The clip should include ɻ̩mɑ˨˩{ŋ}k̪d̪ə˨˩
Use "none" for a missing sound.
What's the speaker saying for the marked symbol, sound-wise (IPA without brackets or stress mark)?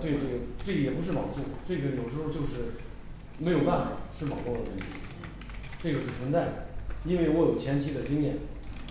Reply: ŋ